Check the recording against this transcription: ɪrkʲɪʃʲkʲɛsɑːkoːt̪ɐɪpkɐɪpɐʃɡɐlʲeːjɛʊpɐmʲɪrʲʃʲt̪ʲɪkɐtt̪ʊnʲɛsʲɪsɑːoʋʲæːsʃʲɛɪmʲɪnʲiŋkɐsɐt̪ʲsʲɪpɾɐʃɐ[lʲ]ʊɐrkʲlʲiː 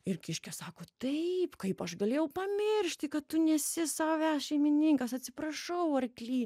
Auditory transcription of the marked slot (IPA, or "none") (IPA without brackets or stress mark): none